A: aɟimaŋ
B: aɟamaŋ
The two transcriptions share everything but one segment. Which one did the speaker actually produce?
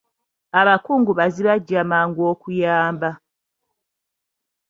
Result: B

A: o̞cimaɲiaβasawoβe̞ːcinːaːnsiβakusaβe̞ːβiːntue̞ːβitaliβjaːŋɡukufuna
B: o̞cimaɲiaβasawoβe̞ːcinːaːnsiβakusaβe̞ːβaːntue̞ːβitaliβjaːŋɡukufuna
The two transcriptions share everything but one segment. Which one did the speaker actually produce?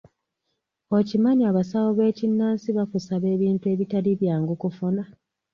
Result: A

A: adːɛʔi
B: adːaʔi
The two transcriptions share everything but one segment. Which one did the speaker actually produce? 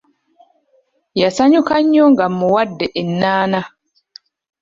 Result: A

